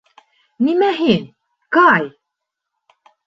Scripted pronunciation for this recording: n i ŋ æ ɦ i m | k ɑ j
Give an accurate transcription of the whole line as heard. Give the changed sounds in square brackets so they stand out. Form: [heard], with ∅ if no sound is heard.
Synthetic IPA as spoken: n i [m] æ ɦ i [n] | k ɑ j